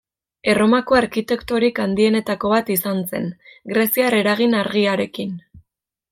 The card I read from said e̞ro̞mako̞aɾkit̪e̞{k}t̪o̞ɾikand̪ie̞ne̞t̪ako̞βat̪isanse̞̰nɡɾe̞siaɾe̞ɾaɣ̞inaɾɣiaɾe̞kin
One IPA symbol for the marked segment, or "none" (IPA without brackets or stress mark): k